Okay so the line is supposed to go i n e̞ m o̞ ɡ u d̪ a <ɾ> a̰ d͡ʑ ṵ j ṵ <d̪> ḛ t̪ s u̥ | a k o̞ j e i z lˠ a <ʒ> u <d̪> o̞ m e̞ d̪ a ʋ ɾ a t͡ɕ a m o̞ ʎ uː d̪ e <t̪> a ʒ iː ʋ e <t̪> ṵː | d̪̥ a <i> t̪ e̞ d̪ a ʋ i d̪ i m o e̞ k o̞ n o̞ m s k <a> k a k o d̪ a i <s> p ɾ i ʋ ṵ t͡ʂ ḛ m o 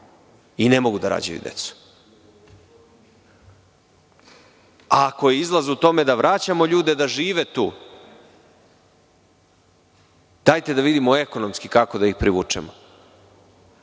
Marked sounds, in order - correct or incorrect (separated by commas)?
correct, correct, incorrect, incorrect, incorrect, correct, incorrect, incorrect, incorrect